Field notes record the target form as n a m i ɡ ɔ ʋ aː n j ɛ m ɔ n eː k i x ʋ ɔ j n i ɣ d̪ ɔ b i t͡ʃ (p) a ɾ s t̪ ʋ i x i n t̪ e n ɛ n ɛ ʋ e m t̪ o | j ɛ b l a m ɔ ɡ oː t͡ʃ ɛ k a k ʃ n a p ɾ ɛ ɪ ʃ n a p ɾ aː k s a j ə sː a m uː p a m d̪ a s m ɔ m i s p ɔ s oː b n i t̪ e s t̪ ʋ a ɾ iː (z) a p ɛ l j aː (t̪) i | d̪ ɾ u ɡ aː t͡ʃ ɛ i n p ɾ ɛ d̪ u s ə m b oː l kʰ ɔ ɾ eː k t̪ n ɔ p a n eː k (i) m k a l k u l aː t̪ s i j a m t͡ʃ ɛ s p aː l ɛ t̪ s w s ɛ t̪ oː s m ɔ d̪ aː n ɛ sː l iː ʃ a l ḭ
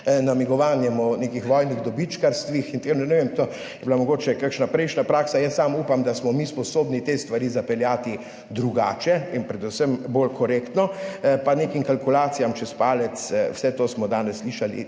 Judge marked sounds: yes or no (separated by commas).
no, yes, yes, yes